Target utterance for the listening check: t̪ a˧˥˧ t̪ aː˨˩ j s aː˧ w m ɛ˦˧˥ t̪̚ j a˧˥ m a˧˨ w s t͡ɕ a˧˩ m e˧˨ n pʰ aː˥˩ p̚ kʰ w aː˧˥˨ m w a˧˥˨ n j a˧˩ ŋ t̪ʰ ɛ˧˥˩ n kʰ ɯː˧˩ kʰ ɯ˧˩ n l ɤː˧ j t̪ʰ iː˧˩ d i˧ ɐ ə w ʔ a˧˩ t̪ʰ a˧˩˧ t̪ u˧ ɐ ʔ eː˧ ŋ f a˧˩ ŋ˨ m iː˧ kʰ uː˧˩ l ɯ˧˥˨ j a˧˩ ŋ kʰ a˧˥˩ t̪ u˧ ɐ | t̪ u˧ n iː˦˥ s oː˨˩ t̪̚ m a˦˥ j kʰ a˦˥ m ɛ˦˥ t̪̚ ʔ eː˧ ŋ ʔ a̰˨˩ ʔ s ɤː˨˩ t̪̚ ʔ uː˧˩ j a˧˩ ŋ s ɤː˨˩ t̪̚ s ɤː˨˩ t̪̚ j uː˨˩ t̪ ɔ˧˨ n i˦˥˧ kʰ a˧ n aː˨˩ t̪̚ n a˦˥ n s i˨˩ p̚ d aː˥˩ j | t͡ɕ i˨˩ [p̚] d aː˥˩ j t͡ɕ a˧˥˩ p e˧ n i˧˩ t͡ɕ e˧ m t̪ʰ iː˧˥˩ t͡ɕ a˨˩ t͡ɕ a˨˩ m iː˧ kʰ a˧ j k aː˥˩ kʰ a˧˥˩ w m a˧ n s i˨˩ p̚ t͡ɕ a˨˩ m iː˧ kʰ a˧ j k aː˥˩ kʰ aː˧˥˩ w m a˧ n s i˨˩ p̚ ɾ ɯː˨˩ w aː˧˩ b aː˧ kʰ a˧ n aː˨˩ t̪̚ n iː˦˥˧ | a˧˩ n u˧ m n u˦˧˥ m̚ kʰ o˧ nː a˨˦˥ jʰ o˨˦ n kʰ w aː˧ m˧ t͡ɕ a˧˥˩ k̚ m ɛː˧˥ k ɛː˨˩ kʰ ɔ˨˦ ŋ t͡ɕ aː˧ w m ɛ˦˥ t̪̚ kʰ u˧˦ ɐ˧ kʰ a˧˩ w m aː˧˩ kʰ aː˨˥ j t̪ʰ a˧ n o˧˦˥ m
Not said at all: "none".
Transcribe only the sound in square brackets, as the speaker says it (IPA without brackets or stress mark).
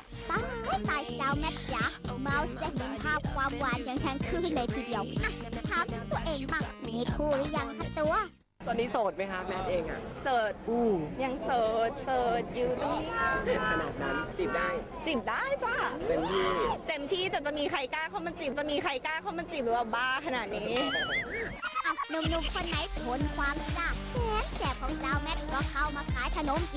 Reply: p̚